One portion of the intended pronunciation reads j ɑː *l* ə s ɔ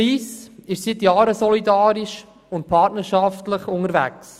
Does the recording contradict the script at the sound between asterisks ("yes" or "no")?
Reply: yes